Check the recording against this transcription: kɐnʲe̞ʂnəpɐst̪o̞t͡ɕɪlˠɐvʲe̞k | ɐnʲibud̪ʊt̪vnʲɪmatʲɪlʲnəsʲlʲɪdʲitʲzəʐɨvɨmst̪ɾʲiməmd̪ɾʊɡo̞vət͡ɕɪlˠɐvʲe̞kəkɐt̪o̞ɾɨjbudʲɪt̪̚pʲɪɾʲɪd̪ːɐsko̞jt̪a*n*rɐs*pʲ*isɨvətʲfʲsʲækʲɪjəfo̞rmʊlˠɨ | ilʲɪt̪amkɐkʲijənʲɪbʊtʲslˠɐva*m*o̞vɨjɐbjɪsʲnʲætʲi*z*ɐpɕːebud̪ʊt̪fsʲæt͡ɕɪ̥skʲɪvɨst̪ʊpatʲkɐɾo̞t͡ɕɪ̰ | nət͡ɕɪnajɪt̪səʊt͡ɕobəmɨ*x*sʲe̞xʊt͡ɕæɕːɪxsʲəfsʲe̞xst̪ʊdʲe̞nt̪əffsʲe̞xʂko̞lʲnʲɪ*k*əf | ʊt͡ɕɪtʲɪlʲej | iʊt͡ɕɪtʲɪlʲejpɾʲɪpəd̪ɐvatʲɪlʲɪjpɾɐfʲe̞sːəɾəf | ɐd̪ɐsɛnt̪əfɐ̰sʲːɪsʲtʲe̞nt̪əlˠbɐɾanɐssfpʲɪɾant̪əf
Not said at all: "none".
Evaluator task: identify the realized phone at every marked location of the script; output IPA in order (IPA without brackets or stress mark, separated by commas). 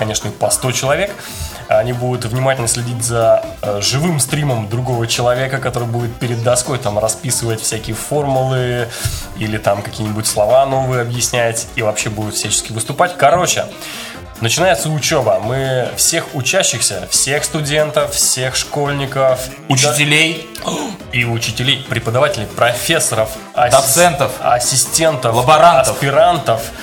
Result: m, pʲ, n, v, f, k